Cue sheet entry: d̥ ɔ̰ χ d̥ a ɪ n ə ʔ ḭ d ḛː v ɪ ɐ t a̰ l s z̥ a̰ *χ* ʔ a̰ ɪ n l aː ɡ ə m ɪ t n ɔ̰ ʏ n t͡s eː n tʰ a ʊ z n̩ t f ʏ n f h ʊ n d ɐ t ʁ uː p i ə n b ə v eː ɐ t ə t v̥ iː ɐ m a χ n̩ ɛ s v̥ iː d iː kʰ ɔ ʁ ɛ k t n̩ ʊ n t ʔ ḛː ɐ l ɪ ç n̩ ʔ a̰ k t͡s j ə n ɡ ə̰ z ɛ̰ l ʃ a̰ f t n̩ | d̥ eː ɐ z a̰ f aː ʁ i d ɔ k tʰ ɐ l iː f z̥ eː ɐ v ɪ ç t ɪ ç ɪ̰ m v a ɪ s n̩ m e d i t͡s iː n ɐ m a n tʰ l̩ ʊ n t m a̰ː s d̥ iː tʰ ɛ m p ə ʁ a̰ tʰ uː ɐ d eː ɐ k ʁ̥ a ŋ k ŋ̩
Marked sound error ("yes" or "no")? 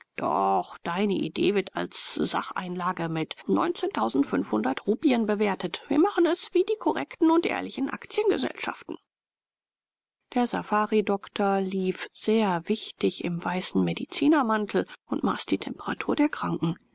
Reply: no